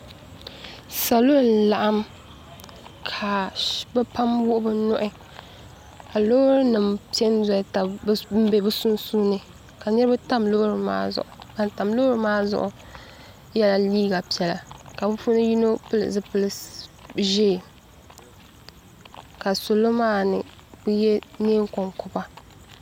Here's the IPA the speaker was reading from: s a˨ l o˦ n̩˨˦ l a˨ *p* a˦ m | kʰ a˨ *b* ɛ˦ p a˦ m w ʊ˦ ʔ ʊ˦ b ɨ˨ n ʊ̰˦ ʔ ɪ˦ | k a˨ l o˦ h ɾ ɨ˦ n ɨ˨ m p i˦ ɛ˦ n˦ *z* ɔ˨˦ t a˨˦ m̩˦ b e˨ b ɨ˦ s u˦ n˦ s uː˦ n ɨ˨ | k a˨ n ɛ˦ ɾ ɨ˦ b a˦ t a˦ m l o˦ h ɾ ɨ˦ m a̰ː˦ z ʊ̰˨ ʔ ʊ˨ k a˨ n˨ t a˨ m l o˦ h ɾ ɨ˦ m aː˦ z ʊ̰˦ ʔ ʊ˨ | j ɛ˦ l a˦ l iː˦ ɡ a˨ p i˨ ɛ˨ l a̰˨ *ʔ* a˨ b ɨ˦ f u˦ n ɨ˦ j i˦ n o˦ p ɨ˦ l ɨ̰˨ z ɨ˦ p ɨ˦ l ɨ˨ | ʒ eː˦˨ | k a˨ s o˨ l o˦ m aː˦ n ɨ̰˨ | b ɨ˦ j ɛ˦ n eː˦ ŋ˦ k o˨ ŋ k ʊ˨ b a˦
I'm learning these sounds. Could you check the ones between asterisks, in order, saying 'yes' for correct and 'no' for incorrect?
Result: no, yes, yes, no

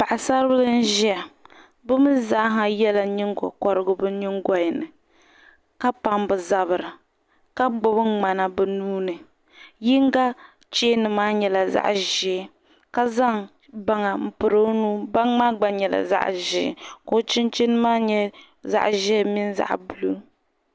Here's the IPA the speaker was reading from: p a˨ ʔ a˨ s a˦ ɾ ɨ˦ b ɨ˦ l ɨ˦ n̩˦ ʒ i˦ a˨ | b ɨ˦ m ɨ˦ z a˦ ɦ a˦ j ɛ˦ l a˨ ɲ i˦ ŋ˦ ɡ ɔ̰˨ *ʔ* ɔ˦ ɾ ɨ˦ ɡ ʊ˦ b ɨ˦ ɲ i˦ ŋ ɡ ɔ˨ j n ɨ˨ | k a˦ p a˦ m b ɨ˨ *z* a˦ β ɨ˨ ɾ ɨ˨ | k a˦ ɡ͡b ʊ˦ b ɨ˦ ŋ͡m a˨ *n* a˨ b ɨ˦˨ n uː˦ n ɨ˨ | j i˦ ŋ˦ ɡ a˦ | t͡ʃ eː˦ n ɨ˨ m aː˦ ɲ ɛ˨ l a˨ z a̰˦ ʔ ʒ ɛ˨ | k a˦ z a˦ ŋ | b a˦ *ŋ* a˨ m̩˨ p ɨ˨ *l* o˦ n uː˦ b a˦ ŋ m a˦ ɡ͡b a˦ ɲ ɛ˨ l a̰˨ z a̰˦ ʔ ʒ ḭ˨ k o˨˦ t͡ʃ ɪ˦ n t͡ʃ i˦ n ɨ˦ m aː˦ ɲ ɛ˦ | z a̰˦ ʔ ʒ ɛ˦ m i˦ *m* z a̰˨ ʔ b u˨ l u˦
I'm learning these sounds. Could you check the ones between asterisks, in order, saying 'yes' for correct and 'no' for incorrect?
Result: no, yes, yes, yes, no, no

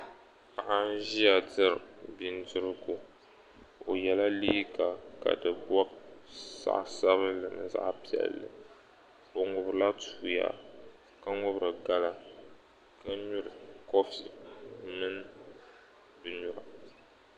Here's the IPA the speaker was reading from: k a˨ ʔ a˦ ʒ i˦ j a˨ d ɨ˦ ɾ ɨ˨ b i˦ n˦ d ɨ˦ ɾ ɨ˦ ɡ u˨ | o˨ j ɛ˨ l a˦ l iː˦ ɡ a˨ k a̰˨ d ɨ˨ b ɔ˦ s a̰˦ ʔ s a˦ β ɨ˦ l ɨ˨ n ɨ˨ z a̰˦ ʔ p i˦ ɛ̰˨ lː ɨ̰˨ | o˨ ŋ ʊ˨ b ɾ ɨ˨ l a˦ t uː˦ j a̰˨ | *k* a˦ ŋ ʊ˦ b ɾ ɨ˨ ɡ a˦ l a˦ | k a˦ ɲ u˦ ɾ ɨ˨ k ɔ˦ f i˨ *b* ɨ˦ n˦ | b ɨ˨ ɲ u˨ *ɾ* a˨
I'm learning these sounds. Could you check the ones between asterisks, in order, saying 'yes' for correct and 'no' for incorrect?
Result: yes, no, yes

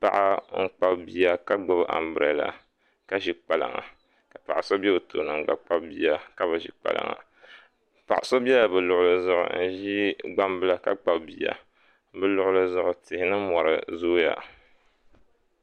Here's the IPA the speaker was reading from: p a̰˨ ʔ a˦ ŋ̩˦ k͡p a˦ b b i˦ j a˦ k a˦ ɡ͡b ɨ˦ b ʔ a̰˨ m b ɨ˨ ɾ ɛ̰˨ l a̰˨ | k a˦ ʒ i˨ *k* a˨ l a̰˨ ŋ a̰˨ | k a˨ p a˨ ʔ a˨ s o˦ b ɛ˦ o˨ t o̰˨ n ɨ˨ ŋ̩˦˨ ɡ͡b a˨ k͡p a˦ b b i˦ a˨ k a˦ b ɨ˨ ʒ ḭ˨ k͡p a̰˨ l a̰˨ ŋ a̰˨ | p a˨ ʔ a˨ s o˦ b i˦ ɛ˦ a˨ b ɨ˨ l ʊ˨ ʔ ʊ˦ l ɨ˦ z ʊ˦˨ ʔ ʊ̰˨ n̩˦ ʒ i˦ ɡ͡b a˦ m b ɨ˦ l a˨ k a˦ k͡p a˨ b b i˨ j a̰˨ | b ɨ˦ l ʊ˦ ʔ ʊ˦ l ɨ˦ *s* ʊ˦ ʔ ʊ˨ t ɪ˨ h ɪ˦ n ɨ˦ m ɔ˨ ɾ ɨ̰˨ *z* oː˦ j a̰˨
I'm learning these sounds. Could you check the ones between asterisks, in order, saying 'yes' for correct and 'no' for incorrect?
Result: no, no, yes

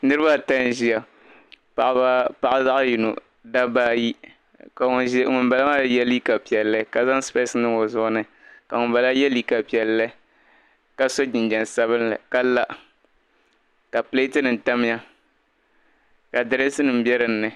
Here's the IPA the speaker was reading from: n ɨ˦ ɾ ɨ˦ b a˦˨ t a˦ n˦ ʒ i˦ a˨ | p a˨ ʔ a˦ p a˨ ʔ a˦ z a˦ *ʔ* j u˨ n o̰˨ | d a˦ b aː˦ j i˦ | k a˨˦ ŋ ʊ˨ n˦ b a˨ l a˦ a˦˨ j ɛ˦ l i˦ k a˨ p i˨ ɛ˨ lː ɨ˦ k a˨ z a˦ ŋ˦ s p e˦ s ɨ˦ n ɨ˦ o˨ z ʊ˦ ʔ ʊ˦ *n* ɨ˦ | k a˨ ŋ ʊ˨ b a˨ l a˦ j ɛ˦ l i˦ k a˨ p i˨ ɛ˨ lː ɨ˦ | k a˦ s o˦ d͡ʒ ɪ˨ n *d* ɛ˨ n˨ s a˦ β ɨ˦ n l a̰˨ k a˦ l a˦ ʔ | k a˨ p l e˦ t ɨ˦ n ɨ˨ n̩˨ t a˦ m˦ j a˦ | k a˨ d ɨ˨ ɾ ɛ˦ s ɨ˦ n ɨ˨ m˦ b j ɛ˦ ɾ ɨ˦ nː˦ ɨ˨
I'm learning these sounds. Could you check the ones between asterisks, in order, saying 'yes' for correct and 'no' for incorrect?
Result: yes, yes, no

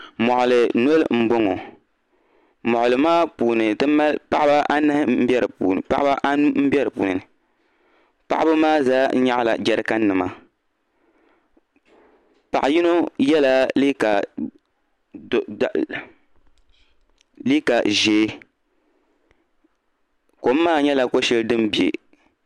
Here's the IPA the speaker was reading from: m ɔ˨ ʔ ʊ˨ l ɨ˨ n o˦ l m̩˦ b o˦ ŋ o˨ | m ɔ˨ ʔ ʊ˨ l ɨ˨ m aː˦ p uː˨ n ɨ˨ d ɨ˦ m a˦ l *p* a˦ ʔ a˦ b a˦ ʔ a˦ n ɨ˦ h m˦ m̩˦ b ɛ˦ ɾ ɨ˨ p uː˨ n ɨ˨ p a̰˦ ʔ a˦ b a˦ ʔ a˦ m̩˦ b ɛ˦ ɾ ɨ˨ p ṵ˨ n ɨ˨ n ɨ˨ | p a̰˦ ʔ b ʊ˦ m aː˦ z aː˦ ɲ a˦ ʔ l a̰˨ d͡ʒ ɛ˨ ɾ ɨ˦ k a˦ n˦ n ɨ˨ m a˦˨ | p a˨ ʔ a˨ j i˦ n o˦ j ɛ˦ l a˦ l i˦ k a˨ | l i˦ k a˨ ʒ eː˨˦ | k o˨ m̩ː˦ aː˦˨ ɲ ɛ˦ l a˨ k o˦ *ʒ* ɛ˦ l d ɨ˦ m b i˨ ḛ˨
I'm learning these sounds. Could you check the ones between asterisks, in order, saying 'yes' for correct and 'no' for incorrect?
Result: yes, no

